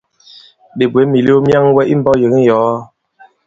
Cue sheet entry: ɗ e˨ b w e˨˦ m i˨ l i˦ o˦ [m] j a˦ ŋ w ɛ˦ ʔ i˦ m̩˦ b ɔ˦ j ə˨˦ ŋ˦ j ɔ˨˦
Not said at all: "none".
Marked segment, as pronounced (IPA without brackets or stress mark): m